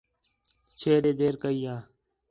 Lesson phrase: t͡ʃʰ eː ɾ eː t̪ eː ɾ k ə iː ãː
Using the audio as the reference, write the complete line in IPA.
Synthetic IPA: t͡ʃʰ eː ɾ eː d̪ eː ɾ k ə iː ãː